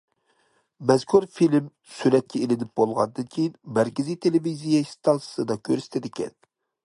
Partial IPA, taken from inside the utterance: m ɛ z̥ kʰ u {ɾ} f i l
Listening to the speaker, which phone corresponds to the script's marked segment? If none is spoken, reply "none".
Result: ɾ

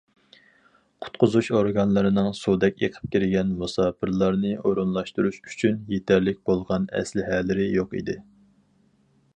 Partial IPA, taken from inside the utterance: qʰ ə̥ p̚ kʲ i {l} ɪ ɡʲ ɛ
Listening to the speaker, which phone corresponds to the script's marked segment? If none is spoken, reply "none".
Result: ɾ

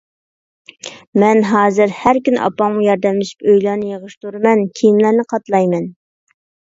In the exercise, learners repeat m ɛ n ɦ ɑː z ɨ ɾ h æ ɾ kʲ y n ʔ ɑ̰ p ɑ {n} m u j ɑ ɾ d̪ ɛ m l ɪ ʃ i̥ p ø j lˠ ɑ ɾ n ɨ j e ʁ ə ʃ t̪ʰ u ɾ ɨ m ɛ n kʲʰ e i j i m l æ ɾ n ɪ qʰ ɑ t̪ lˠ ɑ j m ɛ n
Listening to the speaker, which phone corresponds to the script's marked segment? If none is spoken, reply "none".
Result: ŋ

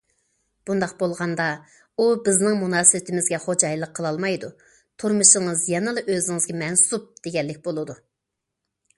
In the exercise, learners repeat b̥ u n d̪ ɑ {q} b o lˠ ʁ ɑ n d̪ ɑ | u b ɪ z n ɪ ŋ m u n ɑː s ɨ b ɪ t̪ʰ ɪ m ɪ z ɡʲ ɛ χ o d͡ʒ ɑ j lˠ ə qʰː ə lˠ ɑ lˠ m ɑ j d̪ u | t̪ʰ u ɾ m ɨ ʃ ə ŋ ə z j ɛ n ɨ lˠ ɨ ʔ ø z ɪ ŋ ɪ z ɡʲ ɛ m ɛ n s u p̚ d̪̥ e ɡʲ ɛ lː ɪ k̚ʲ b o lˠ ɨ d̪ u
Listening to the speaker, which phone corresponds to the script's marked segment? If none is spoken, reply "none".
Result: q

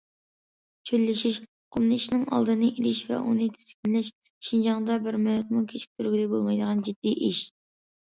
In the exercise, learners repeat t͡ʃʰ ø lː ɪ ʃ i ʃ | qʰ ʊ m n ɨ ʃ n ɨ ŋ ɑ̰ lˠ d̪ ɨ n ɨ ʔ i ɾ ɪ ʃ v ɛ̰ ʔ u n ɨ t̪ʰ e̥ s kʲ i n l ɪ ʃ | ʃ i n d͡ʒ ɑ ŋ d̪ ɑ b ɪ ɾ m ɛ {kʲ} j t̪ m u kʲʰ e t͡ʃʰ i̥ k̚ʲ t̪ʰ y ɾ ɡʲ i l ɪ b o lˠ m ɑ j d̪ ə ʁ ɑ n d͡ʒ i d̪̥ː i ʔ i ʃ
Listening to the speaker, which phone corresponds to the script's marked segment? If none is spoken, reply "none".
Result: none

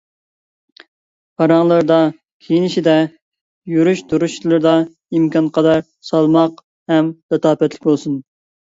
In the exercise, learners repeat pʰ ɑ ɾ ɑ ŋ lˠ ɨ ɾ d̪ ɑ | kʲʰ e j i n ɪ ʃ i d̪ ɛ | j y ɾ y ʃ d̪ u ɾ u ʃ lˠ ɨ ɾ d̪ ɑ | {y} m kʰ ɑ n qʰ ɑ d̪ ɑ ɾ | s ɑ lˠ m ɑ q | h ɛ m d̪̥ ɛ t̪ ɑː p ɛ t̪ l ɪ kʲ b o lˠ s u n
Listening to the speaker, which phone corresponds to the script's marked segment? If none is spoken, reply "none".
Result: i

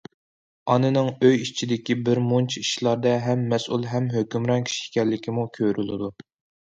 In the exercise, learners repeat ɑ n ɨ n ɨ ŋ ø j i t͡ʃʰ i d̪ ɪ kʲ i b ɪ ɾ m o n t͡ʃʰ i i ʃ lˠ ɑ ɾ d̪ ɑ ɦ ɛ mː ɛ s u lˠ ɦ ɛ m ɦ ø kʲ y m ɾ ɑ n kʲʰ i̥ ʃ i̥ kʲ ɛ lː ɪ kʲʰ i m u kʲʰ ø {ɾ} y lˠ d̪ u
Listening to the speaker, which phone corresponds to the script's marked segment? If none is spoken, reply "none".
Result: ɾ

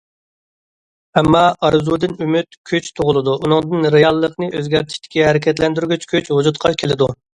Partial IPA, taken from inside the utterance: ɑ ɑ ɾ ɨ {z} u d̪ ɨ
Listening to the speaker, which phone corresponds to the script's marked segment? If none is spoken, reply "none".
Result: z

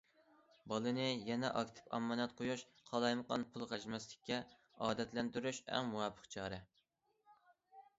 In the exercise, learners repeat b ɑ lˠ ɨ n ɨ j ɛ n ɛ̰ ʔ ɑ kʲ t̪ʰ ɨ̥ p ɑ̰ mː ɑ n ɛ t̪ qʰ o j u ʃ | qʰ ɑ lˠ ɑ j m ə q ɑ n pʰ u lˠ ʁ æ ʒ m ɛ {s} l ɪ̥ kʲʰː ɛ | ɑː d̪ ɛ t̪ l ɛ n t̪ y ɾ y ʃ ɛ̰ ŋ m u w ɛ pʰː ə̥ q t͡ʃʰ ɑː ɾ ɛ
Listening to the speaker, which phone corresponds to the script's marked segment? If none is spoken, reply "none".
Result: s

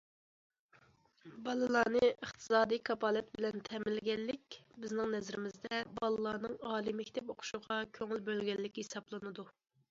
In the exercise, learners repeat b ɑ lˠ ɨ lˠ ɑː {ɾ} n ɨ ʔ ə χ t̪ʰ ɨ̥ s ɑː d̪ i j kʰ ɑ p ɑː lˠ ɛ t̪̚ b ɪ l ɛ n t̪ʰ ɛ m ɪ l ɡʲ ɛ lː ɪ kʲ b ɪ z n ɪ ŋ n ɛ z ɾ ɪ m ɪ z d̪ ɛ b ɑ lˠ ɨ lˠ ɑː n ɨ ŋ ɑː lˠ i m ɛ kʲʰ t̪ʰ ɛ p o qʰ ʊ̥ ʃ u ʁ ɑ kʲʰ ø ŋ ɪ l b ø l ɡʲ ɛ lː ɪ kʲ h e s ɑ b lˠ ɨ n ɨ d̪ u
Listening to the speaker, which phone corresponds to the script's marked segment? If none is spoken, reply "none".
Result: none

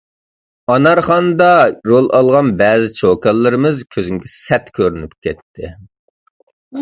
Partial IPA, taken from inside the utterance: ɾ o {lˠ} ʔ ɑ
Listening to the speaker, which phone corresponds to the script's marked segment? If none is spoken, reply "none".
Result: lˠ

